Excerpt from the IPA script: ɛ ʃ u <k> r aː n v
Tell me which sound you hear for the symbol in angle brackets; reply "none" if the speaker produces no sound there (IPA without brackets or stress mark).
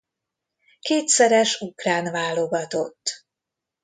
k